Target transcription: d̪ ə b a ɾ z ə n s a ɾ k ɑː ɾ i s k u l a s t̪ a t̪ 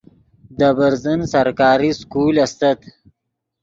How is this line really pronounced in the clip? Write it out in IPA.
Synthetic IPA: d̪ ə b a ɾ z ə n s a ɾ k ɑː ɾ i s k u l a s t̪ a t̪